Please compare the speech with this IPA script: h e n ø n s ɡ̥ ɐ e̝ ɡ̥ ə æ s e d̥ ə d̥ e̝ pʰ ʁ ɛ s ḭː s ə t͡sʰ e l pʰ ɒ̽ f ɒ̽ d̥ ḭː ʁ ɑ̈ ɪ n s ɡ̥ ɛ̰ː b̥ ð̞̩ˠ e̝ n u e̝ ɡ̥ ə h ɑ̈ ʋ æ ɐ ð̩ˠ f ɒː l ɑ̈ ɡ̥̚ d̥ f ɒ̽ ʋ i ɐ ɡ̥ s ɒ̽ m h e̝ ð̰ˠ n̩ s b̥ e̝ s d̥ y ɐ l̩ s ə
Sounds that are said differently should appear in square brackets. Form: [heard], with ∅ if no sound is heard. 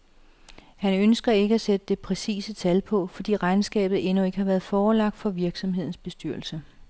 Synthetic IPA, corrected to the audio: h [æ] n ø n s ɡ̥ ɐ e̝ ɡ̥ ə æ s e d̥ ə d̥ e̝ pʰ ʁ ɛ s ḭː s ə t͡sʰ [æ] l pʰ ɒ̽ f ɒ̽ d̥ ḭː ʁ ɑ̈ ɪ n s ɡ̥ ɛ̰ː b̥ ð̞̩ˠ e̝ n u e̝ ɡ̥ ə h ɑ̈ ʋ æ ɐ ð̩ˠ f ɒː l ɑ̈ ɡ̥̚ d̥ f ɒ̽ ʋ i ɐ ɡ̥ s ɒ̽ m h e̝ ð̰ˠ n̩ s b̥ e̝ s d̥ y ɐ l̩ s ə